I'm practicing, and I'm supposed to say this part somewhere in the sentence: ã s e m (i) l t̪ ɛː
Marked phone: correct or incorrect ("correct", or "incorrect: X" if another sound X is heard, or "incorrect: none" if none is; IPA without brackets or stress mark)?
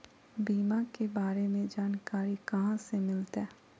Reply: incorrect: ɪ